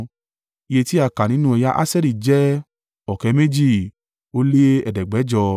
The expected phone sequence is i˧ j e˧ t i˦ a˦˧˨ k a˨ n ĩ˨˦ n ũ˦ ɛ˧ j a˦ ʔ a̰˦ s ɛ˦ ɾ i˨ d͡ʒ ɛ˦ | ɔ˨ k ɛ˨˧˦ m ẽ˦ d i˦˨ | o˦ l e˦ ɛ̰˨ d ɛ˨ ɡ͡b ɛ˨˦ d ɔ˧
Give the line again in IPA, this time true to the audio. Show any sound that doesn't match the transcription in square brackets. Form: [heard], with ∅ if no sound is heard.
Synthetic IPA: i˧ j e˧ t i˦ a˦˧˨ k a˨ n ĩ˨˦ n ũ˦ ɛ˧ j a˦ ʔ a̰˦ s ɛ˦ ɾ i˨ d͡ʒ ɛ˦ | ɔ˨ k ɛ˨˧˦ m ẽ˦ [d͡ʒ] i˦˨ | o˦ l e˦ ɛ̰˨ d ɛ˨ ɡ͡b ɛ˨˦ [d͡ʒ] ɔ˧